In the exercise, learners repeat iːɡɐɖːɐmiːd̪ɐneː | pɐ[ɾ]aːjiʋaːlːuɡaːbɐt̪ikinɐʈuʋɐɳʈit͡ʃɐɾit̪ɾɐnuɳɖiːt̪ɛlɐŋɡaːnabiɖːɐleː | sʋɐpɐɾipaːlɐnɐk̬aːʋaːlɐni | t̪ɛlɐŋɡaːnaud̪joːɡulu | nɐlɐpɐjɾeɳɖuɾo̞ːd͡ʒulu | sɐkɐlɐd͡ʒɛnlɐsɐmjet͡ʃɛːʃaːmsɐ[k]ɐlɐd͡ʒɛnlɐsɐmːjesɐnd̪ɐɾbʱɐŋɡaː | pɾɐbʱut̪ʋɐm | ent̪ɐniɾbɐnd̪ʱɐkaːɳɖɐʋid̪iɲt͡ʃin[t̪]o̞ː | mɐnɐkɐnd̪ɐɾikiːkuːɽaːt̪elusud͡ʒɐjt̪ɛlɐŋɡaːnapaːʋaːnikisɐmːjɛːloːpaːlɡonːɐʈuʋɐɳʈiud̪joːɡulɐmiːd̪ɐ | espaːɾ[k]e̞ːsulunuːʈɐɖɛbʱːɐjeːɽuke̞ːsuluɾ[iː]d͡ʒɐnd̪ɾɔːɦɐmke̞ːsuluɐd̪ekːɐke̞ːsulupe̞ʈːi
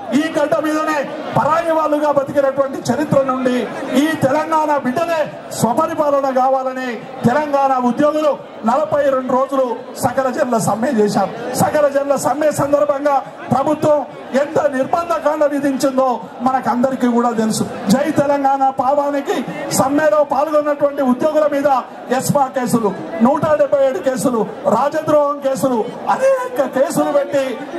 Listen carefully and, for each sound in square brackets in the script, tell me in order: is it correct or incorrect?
correct, correct, incorrect, correct, incorrect

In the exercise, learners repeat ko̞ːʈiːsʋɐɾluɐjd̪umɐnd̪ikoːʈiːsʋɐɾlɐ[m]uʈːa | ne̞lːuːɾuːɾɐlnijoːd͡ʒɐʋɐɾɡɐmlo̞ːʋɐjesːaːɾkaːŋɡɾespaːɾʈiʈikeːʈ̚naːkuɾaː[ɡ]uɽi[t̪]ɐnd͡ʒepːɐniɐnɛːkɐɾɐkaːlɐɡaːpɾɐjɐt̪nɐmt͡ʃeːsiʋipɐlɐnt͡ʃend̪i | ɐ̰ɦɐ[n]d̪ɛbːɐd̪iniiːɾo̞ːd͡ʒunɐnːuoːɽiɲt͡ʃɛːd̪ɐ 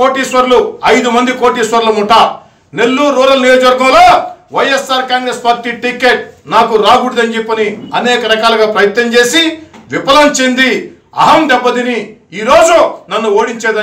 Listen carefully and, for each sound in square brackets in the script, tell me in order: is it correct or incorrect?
correct, correct, incorrect, incorrect

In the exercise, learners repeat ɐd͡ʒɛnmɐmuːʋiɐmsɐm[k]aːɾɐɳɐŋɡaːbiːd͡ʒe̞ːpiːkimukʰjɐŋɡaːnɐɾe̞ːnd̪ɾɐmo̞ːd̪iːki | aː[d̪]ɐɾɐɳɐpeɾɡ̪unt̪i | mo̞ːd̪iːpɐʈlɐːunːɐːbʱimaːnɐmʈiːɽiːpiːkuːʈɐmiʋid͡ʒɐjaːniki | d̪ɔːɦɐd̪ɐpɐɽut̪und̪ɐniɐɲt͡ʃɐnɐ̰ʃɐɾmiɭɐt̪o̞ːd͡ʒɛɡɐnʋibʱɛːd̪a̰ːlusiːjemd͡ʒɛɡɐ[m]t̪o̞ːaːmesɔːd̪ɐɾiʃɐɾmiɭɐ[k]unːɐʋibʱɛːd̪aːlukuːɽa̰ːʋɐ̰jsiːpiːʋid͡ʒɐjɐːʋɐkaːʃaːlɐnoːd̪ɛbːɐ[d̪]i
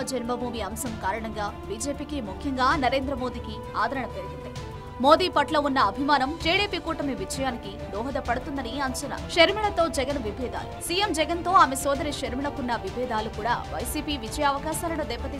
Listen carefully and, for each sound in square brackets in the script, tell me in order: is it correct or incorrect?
correct, correct, incorrect, correct, incorrect

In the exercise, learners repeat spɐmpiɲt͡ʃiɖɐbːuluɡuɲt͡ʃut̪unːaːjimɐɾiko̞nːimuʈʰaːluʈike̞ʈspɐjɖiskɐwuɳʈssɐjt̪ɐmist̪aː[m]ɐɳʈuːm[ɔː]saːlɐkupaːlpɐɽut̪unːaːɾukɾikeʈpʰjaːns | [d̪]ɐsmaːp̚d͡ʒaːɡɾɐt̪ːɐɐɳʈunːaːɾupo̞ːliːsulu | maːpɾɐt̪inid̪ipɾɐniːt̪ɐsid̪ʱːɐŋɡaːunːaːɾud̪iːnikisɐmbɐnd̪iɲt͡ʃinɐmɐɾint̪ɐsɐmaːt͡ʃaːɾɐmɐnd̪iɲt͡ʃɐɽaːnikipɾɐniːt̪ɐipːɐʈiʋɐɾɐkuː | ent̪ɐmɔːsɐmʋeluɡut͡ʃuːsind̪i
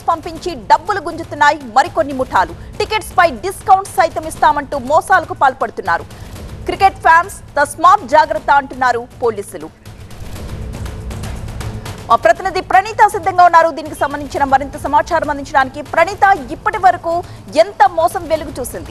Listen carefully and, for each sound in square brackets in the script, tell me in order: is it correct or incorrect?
correct, correct, incorrect

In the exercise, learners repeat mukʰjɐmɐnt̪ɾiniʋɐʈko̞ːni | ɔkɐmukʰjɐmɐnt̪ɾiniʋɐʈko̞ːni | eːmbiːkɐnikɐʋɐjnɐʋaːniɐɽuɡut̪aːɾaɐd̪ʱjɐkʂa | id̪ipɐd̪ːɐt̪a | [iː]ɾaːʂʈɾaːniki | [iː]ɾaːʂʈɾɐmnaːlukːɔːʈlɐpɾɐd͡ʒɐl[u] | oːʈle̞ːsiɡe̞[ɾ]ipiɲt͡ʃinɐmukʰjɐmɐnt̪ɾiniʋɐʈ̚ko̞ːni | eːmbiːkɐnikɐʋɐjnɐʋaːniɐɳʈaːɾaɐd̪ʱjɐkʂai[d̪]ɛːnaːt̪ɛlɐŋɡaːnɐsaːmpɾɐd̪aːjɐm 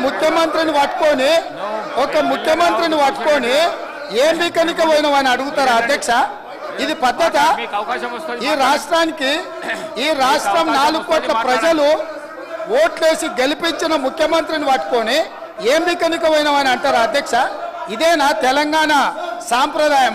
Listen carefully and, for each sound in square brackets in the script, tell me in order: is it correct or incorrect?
correct, correct, correct, incorrect, correct

